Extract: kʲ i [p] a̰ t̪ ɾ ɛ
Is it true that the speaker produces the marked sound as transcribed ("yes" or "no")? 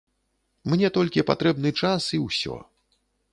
yes